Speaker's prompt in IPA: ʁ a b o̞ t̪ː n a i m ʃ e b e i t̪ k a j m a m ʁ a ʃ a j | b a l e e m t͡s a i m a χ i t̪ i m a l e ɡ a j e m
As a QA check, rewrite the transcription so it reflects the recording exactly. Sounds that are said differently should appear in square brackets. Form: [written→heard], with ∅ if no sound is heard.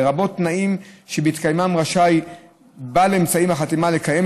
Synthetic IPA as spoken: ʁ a b o̞ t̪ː n a i m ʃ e b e i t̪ k a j m a m ʁ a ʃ a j | b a l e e m t͡s a i m a χ [i→a] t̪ i m a l e [ɡ→k] a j e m